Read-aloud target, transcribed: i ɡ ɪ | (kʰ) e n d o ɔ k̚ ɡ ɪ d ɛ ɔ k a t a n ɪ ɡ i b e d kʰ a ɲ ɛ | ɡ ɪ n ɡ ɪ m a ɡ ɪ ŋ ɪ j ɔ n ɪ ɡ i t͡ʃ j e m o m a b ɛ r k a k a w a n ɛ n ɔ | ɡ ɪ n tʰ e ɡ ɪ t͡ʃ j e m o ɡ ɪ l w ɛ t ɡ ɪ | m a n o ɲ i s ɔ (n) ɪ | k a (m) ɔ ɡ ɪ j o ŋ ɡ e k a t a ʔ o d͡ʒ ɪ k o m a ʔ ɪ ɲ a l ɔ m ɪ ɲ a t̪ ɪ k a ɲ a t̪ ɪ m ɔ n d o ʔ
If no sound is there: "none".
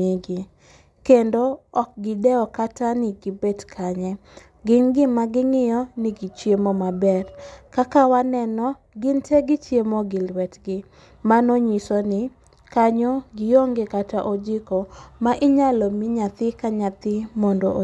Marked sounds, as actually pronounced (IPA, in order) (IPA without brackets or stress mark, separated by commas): k, n, ɲ